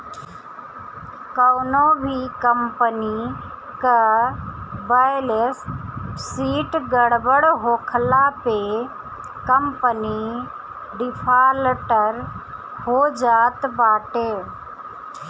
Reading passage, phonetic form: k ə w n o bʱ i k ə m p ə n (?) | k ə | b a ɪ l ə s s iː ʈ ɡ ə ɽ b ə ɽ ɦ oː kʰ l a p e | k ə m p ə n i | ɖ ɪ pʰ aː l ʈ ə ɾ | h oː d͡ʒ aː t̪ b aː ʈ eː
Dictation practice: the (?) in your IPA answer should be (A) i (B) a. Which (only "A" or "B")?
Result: A